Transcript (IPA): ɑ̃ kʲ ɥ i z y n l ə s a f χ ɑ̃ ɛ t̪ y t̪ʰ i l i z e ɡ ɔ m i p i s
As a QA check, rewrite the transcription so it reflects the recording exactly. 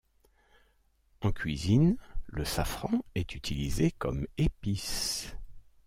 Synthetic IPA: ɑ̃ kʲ ɥ i z i n l ə s a f χ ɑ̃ ɛ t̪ y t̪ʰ i l i z e k ɔ m e p i s